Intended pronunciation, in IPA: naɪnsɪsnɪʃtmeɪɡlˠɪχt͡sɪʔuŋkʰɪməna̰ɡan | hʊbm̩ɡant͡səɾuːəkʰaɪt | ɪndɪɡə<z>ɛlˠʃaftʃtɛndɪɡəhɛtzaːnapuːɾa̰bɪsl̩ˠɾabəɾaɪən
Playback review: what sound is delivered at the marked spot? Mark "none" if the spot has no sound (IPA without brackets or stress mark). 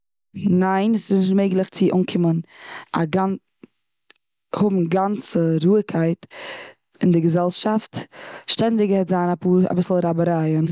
z